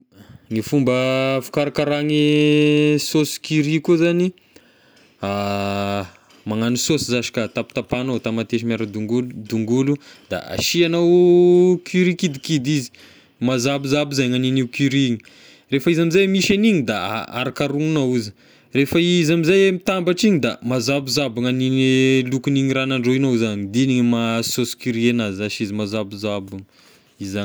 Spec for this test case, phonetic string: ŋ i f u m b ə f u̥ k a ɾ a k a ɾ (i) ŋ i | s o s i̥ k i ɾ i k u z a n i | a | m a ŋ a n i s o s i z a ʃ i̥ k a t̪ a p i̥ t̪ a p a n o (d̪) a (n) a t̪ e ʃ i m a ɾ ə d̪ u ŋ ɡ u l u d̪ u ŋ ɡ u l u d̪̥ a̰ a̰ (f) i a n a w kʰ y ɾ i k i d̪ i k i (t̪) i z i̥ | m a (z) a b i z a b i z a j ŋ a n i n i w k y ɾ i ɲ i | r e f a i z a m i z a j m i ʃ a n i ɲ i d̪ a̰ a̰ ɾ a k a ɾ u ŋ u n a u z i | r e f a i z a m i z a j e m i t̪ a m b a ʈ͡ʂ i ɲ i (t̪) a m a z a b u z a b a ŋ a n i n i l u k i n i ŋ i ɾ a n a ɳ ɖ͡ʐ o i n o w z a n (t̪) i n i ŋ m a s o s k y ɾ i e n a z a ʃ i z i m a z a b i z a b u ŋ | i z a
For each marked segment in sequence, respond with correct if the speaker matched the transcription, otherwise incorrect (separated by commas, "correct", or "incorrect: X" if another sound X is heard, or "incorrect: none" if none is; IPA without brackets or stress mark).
incorrect: a, incorrect: t̪, incorrect: m, incorrect: ʃ, incorrect: d̪, correct, incorrect: d̪, incorrect: d̪